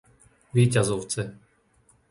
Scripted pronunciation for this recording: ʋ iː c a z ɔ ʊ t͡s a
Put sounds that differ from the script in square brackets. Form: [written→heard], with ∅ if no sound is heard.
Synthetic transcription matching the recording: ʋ iː c a z ɔ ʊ t͡s [a→ɛ]